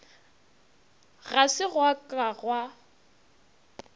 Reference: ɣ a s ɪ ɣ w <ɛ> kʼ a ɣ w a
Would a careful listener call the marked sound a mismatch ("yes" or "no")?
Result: yes